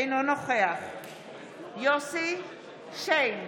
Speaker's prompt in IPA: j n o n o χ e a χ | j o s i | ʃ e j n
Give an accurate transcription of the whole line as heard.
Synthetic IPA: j n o n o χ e a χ | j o s i | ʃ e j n